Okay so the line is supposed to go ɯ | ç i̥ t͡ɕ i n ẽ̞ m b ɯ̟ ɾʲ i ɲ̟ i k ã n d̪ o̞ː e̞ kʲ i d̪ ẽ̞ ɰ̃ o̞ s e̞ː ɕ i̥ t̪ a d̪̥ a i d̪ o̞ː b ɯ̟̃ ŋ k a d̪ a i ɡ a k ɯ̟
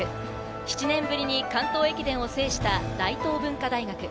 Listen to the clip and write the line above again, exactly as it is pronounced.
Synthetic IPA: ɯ | ç i̥ t͡ɕ i n ẽ̞ m b ɯ̟ ɾʲ i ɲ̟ i k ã n t̪ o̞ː e̞ kʲ i d̪ ẽ̞ ɰ̃ o̞ s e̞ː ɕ i̥ t̪ a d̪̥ a i t̪ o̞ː b ɯ̟̃ ŋ k a d̪ a i ɡ a k ɯ̟